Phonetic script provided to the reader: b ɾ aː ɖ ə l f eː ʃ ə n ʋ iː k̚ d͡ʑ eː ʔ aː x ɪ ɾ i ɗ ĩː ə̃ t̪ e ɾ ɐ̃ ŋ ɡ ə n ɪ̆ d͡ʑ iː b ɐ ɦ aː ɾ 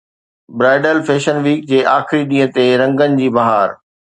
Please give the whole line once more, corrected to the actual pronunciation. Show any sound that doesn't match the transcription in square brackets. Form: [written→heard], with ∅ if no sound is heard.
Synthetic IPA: b ɾ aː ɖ ə l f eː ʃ ə n ʋ iː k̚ d͡ʑ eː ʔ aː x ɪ ɾ i ɗ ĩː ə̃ t̪ e ɾ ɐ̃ ŋ ɡ ə n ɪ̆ d͡ʑ iː b ɐ ɦ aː ɾ

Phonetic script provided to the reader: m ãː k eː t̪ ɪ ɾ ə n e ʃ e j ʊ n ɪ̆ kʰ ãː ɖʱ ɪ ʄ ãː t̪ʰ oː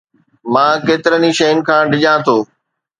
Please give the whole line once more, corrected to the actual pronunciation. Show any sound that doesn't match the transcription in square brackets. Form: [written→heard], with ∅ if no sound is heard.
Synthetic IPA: m ãː k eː t̪ ɪ ɾ ə n [e→i] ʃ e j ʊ n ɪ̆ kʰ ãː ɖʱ ɪ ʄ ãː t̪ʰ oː

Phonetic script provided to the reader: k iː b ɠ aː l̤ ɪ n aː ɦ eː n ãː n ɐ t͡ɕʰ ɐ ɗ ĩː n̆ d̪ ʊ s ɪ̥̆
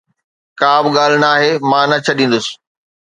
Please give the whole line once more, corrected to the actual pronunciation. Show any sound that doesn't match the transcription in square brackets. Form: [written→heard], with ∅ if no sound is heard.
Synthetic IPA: k [iː→aː] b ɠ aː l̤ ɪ n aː ɦ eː [n→m] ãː n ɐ t͡ɕʰ ɐ ɗ ĩː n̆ d̪ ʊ s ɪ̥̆

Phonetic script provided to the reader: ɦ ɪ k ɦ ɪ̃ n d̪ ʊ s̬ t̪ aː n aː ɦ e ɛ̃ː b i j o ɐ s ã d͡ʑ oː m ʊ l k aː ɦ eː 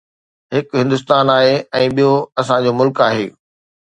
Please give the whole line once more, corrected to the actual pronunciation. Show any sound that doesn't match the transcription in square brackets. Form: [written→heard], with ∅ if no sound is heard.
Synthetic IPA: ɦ ɪ k ɦ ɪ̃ n d̪ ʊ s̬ t̪ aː n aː ɦ e ɛ̃ː [b→ɓ] i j o ɐ s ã d͡ʑ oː m ʊ l k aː ɦ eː

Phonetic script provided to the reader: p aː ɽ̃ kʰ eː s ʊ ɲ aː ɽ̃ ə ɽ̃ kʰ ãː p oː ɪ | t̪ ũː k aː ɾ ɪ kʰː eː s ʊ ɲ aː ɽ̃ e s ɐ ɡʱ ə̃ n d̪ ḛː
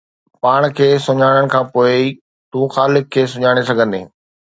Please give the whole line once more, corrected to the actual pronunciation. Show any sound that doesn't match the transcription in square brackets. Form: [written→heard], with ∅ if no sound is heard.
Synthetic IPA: p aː ɽ̃ kʰ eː s ʊ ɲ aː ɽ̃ ə ɽ̃ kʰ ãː p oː ɪ | t̪ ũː [k→x] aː [ɾ→l] ɪ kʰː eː s ʊ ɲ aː ɽ̃ e s ɐ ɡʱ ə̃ n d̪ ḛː

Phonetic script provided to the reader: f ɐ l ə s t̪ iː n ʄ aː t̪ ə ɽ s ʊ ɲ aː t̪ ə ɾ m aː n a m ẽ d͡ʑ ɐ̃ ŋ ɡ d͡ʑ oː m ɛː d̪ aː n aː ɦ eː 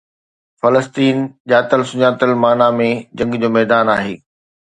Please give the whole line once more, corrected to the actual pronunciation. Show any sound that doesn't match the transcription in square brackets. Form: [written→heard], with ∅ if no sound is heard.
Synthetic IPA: f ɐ l ə s t̪ iː n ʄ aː t̪ ə [ɽ→l] s ʊ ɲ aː t̪ ə [ɾ→l] m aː n a m ẽ d͡ʑ ɐ̃ ŋ ɡ d͡ʑ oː m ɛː d̪ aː n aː ɦ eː

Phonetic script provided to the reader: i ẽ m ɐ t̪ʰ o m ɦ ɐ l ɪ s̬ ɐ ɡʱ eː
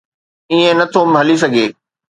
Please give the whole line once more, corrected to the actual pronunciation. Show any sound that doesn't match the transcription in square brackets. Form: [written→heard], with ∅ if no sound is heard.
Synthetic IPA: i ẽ [m→n] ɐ t̪ʰ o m ɦ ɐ l [ɪ→i] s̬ ɐ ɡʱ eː

